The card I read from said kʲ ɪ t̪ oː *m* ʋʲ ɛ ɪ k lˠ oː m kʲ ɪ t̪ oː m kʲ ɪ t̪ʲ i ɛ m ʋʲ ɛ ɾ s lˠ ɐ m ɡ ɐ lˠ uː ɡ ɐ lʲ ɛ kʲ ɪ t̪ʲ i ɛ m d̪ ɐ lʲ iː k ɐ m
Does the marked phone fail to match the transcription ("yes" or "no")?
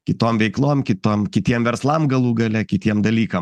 no